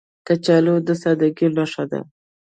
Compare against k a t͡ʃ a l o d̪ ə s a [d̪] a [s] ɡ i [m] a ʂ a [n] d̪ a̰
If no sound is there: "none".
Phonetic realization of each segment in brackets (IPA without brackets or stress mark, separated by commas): d̪, none, n, none